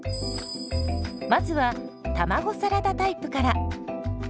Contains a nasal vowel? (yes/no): no